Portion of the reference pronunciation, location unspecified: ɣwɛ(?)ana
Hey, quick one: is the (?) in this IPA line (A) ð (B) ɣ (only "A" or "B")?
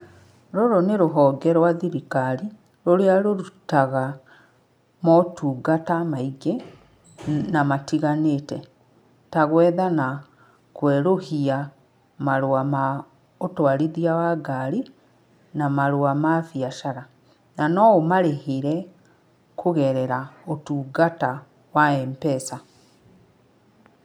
A